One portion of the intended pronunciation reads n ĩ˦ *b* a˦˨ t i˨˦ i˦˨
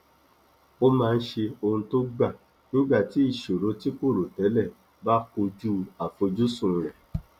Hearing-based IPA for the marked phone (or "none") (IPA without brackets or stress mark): ɡ͡b